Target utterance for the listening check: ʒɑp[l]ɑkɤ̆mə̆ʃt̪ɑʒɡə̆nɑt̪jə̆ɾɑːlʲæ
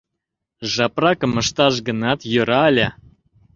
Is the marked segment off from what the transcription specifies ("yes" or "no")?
yes